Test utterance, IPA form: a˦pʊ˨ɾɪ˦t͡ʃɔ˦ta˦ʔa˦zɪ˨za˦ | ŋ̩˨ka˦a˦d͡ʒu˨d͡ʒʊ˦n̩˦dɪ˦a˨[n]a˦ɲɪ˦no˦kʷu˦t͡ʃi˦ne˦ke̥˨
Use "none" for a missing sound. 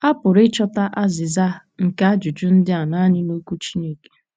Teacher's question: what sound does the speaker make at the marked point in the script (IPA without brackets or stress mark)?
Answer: n